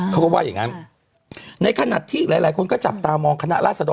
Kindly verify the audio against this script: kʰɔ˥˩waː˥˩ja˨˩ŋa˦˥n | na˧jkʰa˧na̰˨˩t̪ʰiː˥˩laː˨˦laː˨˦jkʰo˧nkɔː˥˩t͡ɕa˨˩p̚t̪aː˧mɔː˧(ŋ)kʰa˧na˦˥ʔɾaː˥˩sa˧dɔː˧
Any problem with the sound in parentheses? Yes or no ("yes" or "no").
no